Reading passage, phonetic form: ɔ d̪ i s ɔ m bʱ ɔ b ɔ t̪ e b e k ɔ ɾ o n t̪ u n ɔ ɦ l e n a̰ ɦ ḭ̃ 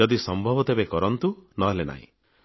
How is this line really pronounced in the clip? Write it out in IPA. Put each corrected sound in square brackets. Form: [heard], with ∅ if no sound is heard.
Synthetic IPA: ɔ d̪ i s ɔ m bʱ ɔ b ɔ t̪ e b e k ɔ ɾ [ɔ] n t̪ u n ɔ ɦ l e n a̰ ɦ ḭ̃

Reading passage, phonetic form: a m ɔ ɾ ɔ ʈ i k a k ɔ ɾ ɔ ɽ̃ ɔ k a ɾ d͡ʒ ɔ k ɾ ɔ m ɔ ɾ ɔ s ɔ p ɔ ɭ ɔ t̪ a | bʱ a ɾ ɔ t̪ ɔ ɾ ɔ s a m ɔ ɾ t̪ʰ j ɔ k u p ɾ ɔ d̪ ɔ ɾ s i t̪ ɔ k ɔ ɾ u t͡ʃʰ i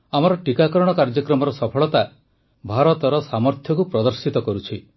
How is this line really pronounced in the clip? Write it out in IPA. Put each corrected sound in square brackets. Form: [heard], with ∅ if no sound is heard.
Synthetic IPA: a m ɔ ɾ ɔ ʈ i k a k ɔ ɾ ɔ ɽ̃ ɔ k a ɾ d͡ʒ ɔ k ɾ ɔ m ɔ ɾ ɔ s ɔ [pʰ] ɔ ɭ ɔ t̪ a | bʱ a ɾ ɔ t̪ ɔ ɾ ɔ s a m ɔ ɾ t̪ʰ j ɔ k u p ɾ ɔ d̪ ɔ ɾ s i t̪ ɔ k ɔ ɾ u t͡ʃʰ i

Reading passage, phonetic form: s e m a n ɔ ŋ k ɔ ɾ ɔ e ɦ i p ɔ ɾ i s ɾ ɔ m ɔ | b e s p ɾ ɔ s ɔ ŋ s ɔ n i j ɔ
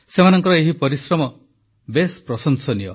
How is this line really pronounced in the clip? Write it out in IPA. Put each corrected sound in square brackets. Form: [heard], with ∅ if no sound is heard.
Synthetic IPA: s e m a n ɔ ŋ k ɔ ɾ ɔ e ɦ i p ɔ ɾ i s ɾ ɔ m ɔ | b e s p ɾ ɔ s ɔ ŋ s ɔ n i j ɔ

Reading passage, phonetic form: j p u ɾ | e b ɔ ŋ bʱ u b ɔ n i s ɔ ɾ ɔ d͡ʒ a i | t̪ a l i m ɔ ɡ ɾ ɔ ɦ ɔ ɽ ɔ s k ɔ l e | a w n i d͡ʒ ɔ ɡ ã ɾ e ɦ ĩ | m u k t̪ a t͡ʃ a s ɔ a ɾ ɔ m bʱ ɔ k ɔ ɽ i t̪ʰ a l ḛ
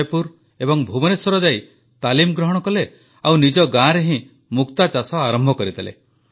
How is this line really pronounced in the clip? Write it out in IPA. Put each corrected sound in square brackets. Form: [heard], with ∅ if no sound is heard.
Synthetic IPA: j p u ɾ | e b ɔ ŋ bʱ u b ɔ n [e] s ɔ ɾ ɔ d͡ʒ a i | t̪ a l i m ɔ ɡ ɾ ɔ ɦ ɔ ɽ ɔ [∅] k ɔ l e | a w n i d͡ʒ ɔ ɡ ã ɾ e ɦ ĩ | m u k t̪ a t͡ʃ a s ɔ a ɾ ɔ m bʱ ɔ k ɔ [ɾ] i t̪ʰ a l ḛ

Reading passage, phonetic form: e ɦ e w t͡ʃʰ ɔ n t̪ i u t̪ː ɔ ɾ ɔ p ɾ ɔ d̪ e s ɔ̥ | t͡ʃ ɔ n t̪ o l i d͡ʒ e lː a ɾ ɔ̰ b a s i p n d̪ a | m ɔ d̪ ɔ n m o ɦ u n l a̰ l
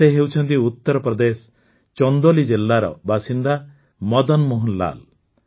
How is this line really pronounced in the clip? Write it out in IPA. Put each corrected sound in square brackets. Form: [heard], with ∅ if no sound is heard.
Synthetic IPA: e ɦ e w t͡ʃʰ ɔ n t̪ i u t̪ː ɔ ɾ ɔ p ɾ ɔ d̪ e s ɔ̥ | t͡ʃ ɔ n [d̪] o l i d͡ʒ e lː a ɾ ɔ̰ b a s i [∅] n d̪ a | m ɔ d̪ ɔ n m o ɦ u n l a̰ l

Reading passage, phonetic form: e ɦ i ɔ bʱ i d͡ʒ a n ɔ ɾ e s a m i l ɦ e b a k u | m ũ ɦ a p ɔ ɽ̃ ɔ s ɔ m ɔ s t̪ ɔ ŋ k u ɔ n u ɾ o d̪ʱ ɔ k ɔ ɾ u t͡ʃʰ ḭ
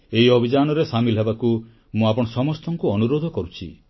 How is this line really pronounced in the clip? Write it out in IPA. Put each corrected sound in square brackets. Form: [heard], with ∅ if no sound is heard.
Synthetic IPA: e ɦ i ɔ bʱ i d͡ʒ a n ɔ ɾ e s a m i l ɦ e b a k u | m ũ [∅] a p ɔ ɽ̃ ɔ s ɔ m ɔ s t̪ ɔ ŋ k u ɔ n u ɾ o d̪ʱ ɔ k ɔ ɾ u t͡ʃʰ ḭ

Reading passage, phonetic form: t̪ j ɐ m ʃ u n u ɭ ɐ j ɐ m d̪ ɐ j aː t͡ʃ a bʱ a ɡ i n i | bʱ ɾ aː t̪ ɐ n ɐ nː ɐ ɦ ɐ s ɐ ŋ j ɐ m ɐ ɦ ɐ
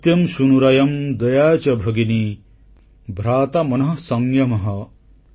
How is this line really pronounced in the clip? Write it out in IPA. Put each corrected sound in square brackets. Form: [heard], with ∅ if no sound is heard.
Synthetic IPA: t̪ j ɐ m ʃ u n u [ɾ] ɐ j ɐ m d̪ ɐ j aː t͡ʃ [ɐ] bʱ [ɐ] ɡ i n i | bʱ ɾ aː t̪ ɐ [m] ɐ [n] ɐ ɦ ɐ s ɐ ŋ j ɐ m ɐ ɦ ɐ

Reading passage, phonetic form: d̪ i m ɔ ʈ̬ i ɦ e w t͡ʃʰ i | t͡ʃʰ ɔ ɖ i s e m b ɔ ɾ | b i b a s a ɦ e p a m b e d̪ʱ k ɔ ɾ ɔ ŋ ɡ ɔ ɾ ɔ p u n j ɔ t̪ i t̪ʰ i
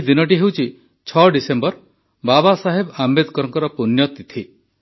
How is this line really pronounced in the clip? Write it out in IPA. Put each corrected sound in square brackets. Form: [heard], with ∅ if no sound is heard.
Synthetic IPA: d̪ i [n] ɔ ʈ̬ i ɦ e w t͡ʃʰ i | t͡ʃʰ ɔ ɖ i s e m b ɔ ɾ | b [a] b a s a ɦ e [b] a m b e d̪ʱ k ɔ ɾ ɔ ŋ [k] ɔ ɾ ɔ p u n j ɔ t̪ i t̪ʰ i

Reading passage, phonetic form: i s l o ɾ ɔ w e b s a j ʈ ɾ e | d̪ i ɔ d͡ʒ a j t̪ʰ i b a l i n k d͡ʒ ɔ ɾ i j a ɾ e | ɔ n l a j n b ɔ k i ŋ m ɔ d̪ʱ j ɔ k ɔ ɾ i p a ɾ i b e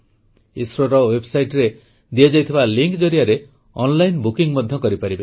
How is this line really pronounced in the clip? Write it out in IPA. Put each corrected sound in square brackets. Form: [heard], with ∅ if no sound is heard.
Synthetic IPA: i s [ɾ] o ɾ ɔ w e b s a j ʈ ɾ e | d̪ i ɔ d͡ʒ a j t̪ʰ i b a l i [ŋ] k d͡ʒ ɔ ɾ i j a ɾ e | ɔ n l a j n b [u] k i ŋ m ɔ d̪ʱ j ɔ k ɔ ɾ i p a ɾ i b e

